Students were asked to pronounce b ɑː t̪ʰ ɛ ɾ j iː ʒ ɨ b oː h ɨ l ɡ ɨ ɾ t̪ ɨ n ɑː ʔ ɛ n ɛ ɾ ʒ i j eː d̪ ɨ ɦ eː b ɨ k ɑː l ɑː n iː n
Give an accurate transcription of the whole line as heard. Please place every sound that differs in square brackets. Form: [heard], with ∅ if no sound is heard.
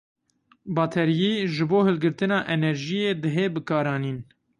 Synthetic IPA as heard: b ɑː t̪ʰ ɛ ɾ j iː ʒ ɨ b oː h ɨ l ɡ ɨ ɾ t̪ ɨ n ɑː ʔ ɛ n ɛ ɾ ʒ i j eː d̪ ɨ ɦ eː b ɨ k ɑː [ɾ] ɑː n iː n

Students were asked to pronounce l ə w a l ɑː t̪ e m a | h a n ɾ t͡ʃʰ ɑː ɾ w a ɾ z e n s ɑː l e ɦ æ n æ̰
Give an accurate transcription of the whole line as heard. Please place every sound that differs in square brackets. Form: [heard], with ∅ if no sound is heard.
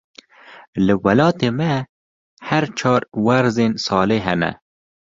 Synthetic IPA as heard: l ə w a l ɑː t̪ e m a | h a [∅] ɾ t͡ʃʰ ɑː ɾ w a ɾ z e n s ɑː l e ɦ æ n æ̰

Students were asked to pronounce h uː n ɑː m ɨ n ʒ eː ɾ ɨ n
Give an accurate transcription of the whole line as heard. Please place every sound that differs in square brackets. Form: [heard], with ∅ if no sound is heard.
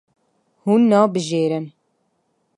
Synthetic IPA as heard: h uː [nː] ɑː [b] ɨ [∅] ʒ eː ɾ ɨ n

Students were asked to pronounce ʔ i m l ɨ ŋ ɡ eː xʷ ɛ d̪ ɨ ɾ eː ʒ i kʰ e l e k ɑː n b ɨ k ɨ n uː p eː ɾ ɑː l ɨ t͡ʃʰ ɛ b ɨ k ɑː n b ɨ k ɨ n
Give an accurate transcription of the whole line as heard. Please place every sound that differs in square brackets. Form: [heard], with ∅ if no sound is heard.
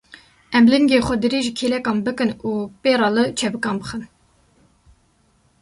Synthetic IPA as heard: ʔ [ɛ] m l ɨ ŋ ɡ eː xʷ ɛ d̪ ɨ ɾ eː ʒ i kʰ e l [ɛ] k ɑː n b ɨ k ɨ n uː p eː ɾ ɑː l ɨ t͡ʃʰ ɛ b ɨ k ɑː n b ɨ [x] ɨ n

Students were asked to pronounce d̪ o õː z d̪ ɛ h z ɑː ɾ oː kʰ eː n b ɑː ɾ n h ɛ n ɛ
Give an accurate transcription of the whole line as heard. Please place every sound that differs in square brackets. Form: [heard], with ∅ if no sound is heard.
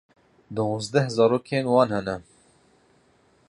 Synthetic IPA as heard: d̪ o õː z d̪ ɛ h z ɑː ɾ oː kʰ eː n [w] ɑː [∅] n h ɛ n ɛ

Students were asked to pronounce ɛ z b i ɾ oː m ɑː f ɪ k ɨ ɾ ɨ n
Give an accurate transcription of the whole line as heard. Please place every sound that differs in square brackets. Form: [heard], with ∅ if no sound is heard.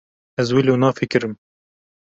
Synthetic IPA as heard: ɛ z [w] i [l] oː [n] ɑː f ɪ k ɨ ɾ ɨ [m]

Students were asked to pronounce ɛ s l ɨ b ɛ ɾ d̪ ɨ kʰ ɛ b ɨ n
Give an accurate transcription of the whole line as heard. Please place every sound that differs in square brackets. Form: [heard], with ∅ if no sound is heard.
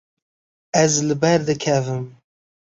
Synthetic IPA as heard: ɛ [z] l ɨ b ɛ ɾ d̪ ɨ kʰ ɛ [v] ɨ [m]

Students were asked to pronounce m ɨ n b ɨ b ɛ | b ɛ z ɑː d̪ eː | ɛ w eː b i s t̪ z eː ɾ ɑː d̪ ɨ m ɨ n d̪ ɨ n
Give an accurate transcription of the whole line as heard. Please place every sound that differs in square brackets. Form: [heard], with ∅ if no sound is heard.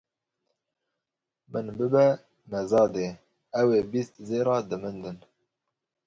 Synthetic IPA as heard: m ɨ n b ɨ b ɛ | [m] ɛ z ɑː d̪ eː | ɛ w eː b i s t̪ z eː ɾ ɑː d̪ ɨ m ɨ n d̪ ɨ n

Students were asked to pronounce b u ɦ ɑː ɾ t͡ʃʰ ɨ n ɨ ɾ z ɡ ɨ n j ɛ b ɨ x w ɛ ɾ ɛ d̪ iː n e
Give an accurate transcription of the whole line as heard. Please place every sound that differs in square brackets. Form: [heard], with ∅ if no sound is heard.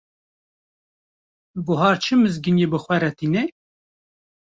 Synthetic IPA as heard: b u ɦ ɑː ɾ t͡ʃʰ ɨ [m] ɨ [∅] z ɡ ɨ n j [e] b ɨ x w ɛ ɾ ɛ [t̪] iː n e

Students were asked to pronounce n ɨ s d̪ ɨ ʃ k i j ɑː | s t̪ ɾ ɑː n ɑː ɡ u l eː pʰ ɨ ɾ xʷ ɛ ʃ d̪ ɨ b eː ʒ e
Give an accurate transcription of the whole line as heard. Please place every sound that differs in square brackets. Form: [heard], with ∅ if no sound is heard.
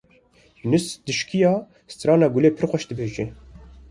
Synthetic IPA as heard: n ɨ s d̪ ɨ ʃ k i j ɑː | s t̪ ɾ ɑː n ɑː ɡ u l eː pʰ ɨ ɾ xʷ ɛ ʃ d̪ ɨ b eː ʒ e

